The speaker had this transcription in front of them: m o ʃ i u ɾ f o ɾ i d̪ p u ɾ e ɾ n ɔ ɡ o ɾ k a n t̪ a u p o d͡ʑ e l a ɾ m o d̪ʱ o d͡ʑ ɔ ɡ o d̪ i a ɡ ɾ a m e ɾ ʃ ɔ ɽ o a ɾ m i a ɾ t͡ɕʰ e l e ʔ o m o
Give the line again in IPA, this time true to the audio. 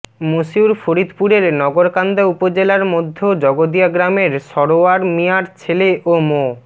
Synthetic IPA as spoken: m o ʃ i u ɾ f o ɾ i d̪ p u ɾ e ɾ n ɔ ɡ o ɾ k a n d̪ a u p o d͡ʑ e l a ɾ m o d̪ʱː o d͡ʑ ɔ ɡ o d̪ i a ɡ ɾ a m e ɾ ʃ ɔ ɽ o a ɾ m i a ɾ t͡ɕʰ e l e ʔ o m o